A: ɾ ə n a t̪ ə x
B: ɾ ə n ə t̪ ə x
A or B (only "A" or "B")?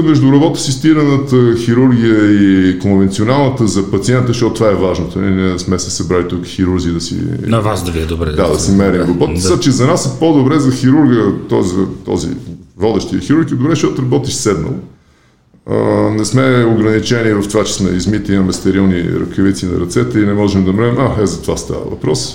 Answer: B